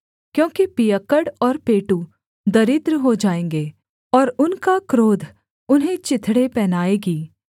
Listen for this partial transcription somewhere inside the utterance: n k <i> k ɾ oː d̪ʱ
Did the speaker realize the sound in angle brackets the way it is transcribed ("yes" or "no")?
no